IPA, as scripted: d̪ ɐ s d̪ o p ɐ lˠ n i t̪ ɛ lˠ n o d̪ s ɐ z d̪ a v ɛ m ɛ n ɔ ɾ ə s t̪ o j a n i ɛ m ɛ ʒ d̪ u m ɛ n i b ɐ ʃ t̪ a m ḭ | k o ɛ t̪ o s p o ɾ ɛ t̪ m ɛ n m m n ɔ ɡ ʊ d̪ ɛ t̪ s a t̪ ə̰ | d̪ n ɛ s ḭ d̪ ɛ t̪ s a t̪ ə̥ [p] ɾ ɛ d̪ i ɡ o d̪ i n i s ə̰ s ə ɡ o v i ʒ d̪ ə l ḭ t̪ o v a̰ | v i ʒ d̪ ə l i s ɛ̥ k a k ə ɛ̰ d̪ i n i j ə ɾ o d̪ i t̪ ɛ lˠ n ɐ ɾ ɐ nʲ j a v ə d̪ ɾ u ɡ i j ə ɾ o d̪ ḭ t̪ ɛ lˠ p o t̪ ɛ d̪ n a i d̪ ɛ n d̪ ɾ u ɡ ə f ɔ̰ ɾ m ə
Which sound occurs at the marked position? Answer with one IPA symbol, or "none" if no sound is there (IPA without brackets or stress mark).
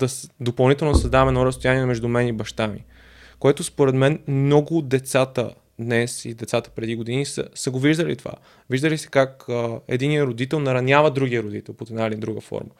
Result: p